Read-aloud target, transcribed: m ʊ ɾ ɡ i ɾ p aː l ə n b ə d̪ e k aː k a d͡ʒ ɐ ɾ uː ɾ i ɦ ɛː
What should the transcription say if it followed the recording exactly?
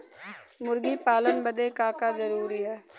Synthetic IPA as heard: m ʊ ɾ ɡ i p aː l ə n b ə d̪ e k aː k a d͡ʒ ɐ ɾ uː ɾ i ɦ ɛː